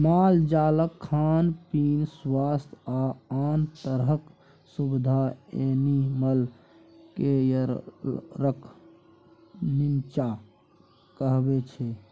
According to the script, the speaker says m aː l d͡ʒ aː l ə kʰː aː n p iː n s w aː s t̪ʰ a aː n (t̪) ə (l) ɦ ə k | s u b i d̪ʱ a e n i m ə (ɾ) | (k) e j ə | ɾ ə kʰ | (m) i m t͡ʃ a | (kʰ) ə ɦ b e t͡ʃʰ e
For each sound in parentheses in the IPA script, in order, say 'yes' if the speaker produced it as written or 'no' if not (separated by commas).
yes, no, no, yes, no, no